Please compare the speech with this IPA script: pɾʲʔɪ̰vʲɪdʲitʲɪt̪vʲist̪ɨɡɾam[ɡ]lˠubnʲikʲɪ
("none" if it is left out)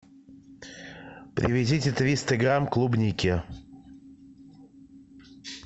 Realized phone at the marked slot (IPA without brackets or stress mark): k